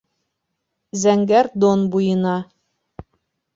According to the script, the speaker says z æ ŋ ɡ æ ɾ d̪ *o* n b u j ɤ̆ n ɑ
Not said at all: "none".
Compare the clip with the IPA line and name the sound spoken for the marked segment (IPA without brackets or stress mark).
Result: o